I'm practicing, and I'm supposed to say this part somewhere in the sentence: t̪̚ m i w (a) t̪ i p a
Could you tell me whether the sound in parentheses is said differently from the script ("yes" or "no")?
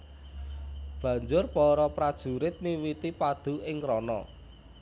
yes